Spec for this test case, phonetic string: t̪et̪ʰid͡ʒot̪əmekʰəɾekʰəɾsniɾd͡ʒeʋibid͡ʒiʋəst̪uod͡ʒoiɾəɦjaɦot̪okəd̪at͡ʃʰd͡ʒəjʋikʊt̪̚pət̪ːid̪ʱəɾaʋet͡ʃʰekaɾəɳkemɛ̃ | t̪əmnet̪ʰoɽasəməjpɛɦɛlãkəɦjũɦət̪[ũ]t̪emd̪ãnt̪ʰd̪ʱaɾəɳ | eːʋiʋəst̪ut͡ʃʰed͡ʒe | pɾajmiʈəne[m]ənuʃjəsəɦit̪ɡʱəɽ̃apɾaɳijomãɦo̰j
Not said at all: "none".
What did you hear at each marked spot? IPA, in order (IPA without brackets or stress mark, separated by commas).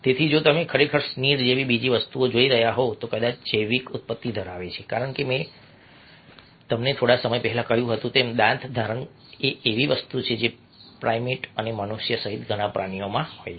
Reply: ũ, m